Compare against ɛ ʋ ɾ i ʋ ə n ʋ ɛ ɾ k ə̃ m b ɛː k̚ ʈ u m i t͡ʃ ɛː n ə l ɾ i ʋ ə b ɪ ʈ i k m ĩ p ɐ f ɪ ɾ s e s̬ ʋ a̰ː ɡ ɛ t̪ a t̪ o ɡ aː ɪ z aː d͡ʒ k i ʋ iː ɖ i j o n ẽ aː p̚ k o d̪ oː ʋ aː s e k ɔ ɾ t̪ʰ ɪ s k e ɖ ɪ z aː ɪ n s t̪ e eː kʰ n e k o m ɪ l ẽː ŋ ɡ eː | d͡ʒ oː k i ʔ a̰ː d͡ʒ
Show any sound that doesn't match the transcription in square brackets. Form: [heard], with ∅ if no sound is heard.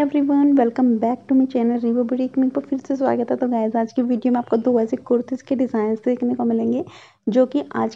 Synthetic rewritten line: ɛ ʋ ɾ i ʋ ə n ʋ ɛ [l] k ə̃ m b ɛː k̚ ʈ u m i t͡ʃ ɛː n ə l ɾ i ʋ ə b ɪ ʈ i k m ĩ p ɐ f ɪ ɾ s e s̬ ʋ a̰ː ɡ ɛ t̪ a t̪ o ɡ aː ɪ z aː d͡ʒ k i ʋ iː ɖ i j o [m] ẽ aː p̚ k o d̪ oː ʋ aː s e k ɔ ɾ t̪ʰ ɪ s k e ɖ ɪ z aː ɪ n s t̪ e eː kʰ n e k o m ɪ l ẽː ŋ ɡ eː | d͡ʒ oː k i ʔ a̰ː d͡ʒ

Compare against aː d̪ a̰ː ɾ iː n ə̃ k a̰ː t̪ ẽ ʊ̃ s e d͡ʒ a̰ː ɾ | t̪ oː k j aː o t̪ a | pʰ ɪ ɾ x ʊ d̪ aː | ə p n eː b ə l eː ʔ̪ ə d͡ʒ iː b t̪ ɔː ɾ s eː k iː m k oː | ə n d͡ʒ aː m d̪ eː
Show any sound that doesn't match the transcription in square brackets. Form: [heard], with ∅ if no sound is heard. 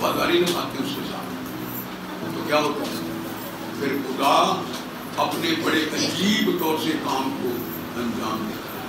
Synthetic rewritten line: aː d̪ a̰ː ɾ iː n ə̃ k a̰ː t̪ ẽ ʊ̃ s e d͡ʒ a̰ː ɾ | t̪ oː k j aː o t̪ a | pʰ ɪ ɾ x ʊ d̪ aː | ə p n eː b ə [ɽ] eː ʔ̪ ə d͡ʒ iː b t̪ ɔː ɾ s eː k [aː] m k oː | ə n d͡ʒ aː m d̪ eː

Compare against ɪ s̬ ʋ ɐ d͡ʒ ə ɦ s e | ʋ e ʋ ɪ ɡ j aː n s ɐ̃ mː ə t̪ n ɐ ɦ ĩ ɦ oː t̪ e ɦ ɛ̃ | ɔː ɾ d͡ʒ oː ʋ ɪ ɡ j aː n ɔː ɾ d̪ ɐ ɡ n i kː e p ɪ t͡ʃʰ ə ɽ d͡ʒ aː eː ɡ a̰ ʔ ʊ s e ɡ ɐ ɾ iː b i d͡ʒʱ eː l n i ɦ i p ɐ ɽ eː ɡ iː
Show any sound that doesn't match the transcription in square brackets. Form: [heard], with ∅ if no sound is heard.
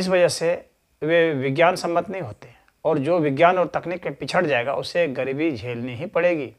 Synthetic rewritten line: ɪ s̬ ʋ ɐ d͡ʒ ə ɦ s e | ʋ e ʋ ɪ ɡ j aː n s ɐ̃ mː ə t̪ n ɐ ɦ ĩ ɦ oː t̪ e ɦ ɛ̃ | ɔː ɾ d͡ʒ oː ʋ ɪ ɡ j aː n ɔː ɾ [t̪] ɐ [k] n i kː e p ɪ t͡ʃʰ ə ɽ d͡ʒ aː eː ɡ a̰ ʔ ʊ s e ɡ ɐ ɾ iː b i d͡ʒʱ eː l n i ɦ i p ɐ ɽ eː ɡ iː

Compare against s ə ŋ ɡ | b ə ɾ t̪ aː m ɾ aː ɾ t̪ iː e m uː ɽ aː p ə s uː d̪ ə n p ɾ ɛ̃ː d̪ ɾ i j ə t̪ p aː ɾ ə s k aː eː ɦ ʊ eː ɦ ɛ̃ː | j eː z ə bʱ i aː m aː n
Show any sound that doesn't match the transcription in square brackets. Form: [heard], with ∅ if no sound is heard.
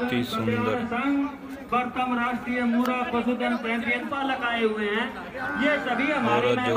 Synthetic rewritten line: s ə ŋ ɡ | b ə ɾ t̪ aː m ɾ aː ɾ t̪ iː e m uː [ɾ] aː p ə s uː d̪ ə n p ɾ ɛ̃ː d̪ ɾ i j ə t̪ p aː [l] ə [∅] k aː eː ɦ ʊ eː ɦ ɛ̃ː | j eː [s] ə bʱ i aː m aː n

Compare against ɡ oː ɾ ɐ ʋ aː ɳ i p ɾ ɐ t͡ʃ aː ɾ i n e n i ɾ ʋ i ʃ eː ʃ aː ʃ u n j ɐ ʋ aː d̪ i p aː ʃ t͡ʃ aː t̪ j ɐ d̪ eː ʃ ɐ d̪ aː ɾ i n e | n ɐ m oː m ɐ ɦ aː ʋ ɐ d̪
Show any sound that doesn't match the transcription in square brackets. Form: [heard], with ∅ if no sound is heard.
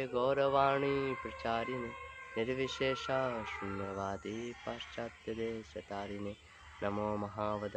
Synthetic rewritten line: ɡ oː ɾ ɐ ʋ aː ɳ i p ɾ ɐ t͡ʃ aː ɾ i n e n i ɾ ʋ i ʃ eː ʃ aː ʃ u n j ɐ ʋ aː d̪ i p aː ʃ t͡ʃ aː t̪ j ɐ d̪ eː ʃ ɐ [t̪] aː ɾ i n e | n ɐ m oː m ɐ ɦ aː ʋ ɐ d̪

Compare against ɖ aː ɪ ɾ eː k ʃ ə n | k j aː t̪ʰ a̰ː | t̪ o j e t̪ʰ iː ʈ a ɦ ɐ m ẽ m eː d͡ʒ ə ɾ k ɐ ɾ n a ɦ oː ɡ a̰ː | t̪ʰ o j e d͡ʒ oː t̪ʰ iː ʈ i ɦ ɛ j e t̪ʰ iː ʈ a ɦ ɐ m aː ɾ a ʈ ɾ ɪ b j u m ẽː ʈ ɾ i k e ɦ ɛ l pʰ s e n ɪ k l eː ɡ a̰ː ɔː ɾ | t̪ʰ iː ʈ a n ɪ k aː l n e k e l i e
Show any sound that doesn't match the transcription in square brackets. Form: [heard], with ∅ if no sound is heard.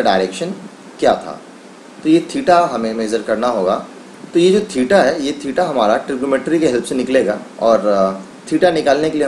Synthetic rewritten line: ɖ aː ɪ ɾ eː k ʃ ə n | k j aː t̪ʰ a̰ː | t̪ o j e t̪ʰ iː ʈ a ɦ ɐ m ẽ m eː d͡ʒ ə ɾ k ɐ ɾ n a ɦ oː ɡ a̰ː | [t̪] o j e d͡ʒ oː t̪ʰ iː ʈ [a] ɦ ɛ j e t̪ʰ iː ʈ a ɦ ɐ m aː ɾ a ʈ ɾ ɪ b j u m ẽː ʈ ɾ i k e ɦ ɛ l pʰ s e n ɪ k l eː ɡ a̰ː ɔː ɾ | t̪ʰ iː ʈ a n ɪ k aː l n e k e l i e

